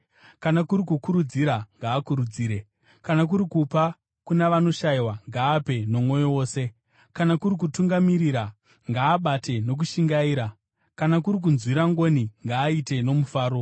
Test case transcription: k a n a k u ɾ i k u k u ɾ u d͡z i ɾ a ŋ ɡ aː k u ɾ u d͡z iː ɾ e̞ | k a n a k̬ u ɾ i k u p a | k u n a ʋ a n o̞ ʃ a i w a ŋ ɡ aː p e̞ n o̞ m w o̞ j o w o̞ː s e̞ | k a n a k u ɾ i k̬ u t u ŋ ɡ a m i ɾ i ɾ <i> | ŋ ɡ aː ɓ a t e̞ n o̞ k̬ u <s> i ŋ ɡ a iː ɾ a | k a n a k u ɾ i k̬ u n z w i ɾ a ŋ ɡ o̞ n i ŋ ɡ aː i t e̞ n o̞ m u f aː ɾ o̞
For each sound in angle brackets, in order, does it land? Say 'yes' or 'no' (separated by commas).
no, no